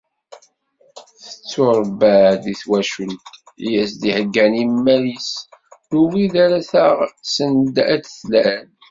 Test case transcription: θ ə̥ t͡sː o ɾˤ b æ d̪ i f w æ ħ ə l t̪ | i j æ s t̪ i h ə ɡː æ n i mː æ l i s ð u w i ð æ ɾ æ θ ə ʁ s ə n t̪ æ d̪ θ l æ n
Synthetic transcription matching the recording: θ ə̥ t͡sː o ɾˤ b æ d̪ i θ w æ ʃ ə l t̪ | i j æ s d̪ i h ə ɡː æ n i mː æ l i s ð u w i ð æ ɾ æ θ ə ʁ s ə n d̪ æ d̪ θ l æ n

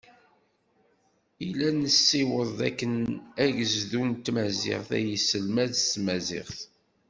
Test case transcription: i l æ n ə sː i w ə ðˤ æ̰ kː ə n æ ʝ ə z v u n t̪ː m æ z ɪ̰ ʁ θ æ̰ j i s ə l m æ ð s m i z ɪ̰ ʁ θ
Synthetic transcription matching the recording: i l æ n ə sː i w ə ðˤ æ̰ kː ə n æ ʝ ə z ð u n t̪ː m æ z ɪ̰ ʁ θ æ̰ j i s ə l m æ ð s m æ z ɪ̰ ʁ θ

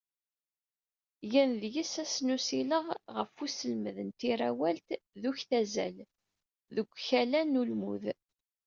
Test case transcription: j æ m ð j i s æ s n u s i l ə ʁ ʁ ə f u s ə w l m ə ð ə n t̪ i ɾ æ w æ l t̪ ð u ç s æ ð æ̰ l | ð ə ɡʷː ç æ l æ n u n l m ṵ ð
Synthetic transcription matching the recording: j æ n ð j i s æ s n u s i l ə ʁ ʁ ə f u s ə l m ə ð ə n t̪ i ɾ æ w æ l t̪ ð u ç θ æ z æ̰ l | ð ə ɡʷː ç æ l æ n u l m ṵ ð

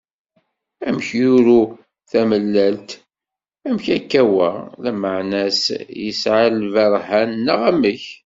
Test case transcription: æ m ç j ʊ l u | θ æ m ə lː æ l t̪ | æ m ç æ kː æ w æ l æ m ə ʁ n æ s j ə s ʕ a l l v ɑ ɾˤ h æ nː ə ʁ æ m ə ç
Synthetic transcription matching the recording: æ m ç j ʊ ɾ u | θ æ m ə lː æ l t̪ | æ m ç æ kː æ w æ l æ m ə ʕ n æ s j ə s ʕ a l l v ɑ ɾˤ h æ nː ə ʁ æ m ə ç

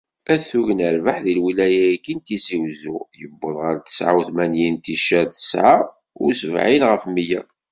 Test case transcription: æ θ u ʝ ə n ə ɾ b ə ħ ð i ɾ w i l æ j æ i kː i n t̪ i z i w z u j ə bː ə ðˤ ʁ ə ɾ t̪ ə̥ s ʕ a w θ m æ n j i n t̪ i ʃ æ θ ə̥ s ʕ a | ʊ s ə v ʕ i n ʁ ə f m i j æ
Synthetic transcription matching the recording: æ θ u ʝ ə n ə ɾ v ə ħ ð i l w i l æ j æ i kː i n t̪ i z i w z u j ə bː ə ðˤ ʁ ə ɾ t̪ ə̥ s ʕ a w θ m æ n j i n t̪ i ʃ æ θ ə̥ s ʕ a | ʊ s ə v ʕ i n ʁ ə f m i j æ

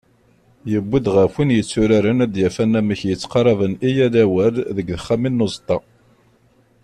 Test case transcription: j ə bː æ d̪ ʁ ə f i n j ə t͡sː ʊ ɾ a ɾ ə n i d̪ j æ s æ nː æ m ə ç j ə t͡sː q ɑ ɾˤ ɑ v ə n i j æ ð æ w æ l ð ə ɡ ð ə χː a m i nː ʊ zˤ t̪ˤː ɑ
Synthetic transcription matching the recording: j ə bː i d̪ ʁ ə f i n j ə t͡sː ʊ ɾ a ɾ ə n æ d̪ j æ f æ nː æ m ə ç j ə t͡sː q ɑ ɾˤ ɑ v ə n i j æ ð æ w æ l ð ə ɡ ð ə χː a m i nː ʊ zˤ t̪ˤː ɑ

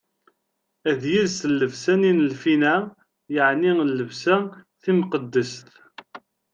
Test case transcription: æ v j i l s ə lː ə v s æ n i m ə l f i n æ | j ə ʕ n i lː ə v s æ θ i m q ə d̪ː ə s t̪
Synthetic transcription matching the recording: æ ð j i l s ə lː ə v s æ n i n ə l f i n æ | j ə ʕ n i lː ə v s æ θ i m q ə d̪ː ə s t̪

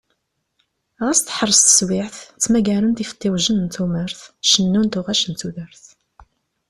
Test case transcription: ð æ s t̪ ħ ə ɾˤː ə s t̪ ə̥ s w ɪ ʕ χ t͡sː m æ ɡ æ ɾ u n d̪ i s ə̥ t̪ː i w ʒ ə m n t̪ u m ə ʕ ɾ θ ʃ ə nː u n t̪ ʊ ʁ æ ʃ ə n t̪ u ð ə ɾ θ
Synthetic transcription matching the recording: ʁ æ s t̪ ħ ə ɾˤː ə s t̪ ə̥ s w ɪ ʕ θ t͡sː m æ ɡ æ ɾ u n t̪ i f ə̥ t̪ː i w ʒ ə n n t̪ u m ə ɾ θ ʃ ə nː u n t̪ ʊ ʁ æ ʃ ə n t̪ u ð ə ɾ θ

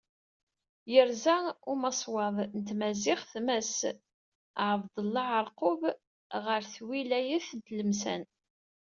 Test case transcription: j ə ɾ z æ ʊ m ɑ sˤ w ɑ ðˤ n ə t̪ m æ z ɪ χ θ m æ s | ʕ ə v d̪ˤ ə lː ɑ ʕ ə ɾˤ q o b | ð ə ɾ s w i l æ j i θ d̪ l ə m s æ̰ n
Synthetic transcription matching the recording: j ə ɾ z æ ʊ m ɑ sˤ w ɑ ðˤ n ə t̪ m æ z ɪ χ θ m æ s | ʕ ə v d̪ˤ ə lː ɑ ʕ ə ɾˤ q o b | ʁ ə ɾ θ w i l æ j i θ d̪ l ə m s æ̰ n

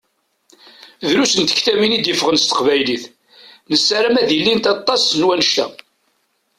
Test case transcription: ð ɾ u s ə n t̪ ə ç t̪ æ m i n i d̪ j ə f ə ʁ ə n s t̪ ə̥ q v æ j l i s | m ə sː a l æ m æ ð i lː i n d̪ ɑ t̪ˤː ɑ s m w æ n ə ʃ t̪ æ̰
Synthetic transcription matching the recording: ð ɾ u s ə n t̪ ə ç t̪ æ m i n i d̪ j ə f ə ʁ ə n s t̪ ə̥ q v æ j l i θ | n ə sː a ɾ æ m æ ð i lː i n t̪ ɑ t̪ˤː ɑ s n w æ n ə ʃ t̪ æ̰

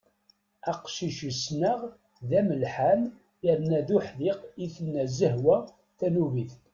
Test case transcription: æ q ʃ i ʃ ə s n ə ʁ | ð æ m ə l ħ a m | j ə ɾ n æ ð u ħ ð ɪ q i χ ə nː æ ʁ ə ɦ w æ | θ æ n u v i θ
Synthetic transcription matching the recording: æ q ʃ i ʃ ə s n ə ʁ | ð æ m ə l ħ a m | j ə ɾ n æ ð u ħ ð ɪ q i θ ə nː æ z ə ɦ w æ | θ æ n u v i θ

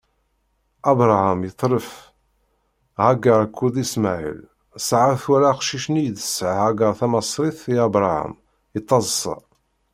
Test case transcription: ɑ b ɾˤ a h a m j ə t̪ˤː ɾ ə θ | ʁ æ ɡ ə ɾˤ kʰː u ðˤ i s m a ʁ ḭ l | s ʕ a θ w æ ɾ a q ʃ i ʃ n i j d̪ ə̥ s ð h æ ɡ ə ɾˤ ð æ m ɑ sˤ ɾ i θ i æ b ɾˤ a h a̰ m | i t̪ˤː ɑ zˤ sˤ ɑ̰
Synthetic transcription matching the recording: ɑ b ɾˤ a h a m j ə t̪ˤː ɾ ə f | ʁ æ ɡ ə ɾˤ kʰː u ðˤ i s m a ʕ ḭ l | s ʕ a θ w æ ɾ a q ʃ i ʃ n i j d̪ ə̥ s ʕ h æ ɡ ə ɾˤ θ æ m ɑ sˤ ɾ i θ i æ b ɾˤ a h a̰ m | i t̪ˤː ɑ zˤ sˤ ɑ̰

